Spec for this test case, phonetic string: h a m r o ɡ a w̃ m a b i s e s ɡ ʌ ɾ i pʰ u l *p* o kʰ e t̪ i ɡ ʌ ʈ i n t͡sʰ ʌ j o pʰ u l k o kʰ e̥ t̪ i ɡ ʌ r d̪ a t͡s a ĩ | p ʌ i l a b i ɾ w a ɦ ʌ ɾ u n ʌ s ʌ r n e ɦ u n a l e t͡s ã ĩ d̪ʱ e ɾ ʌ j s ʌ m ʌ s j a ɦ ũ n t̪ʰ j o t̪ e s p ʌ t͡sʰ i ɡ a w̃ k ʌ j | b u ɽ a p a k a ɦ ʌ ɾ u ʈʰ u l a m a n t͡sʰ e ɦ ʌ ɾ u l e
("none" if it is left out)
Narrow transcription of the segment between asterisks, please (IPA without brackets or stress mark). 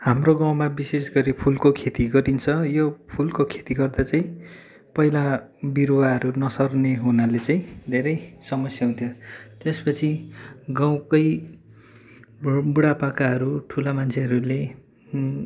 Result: k